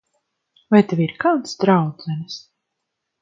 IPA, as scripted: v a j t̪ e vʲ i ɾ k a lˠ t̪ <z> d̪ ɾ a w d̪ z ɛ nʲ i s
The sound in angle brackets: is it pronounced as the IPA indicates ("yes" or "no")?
no